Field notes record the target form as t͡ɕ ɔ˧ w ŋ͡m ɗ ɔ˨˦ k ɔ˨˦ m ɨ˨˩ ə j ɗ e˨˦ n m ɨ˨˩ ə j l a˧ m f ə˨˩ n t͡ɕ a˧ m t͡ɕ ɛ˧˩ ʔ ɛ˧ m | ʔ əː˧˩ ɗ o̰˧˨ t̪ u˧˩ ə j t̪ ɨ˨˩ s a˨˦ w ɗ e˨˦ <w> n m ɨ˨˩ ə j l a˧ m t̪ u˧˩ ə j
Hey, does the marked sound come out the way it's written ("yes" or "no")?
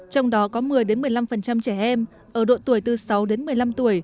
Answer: no